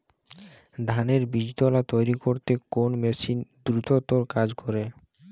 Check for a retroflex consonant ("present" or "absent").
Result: absent